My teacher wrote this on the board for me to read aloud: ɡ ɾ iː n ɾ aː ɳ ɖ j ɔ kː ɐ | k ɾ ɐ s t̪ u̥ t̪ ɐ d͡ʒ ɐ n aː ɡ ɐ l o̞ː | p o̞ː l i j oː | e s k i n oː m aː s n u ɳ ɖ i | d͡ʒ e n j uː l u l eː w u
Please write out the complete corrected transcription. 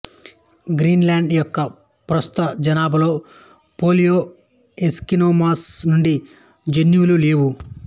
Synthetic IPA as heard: ɡ ɾ iː n l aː ɳ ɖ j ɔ kː ɐ | p ɾ ɐ s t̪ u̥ t̪ ɐ d͡ʒ ɐ n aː b ɐ l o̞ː | p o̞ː l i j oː | e s k i n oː m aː s n u ɳ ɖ i | d͡ʒ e n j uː l u l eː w u